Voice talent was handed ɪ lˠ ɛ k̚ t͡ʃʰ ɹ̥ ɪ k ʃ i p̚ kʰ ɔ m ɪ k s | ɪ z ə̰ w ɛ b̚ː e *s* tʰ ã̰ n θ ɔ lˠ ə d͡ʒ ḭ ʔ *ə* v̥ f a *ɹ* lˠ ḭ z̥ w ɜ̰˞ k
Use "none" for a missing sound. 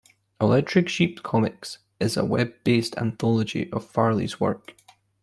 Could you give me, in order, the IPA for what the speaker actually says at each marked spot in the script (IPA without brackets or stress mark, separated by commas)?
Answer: s, ə, ɹ